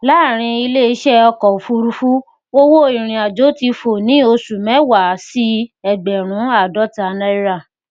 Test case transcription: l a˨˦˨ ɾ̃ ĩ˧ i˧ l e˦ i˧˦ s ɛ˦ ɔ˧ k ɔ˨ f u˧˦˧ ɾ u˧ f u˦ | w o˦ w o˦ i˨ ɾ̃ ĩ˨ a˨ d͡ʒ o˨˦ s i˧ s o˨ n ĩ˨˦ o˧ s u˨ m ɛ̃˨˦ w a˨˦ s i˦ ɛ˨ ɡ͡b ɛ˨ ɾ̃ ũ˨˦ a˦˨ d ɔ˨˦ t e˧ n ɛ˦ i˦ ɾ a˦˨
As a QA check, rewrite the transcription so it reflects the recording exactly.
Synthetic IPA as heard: l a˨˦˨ ɾ̃ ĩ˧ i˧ l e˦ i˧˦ ʃ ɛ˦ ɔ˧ k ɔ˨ f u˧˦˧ ɾ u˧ f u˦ | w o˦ w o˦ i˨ ɾ̃ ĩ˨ a˨ d͡ʒ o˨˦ t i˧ f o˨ n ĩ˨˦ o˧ s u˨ m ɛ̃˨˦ w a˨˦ s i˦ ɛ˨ ɡ͡b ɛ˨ ɾ̃ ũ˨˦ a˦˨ d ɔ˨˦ t a˧ n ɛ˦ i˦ ɾ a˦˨